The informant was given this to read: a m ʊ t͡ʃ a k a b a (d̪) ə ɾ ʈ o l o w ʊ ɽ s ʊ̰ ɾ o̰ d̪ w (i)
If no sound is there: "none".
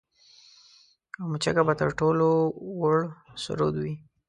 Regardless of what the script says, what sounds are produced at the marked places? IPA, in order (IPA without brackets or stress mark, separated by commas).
t̪, i